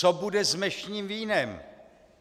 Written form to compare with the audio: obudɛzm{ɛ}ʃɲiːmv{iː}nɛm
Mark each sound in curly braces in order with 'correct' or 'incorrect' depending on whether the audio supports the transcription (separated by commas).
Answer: correct, correct